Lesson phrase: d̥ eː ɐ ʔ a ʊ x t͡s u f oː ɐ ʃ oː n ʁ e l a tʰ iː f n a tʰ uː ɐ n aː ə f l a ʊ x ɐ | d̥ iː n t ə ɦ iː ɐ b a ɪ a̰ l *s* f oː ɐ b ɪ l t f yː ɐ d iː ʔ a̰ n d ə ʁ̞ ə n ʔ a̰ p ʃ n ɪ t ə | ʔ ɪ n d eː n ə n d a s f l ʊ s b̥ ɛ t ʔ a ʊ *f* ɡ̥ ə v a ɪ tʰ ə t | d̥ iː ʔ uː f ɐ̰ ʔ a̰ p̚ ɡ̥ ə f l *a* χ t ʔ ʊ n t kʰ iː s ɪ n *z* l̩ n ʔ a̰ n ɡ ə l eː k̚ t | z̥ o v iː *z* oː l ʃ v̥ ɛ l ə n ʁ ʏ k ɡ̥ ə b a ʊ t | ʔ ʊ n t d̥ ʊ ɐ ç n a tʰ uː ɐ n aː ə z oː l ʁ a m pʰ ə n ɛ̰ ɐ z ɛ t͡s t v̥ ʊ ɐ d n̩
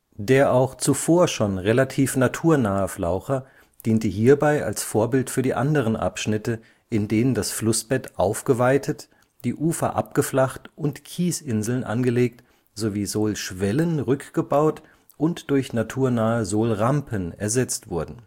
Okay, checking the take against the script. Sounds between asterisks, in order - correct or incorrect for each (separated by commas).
correct, correct, correct, correct, correct